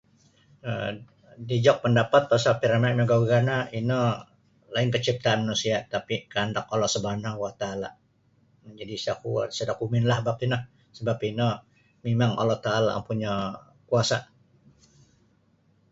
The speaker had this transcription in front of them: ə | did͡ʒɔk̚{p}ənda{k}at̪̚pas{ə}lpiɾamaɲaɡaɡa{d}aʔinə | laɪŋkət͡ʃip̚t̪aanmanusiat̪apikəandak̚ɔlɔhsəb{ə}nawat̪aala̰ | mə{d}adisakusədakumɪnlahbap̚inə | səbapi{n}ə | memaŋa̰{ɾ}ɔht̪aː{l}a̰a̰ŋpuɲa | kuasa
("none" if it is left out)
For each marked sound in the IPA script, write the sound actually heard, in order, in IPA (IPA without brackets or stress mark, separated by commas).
p, p, a, n, a, d͡ʒ, n, l, l